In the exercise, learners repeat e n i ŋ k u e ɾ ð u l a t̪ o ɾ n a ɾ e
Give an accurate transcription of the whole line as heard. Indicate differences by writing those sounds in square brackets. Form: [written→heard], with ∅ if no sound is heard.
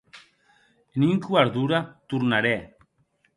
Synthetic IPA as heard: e n i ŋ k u [e→a] ɾ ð u [l→ɾ] a t̪ [o→u] ɾ n a ɾ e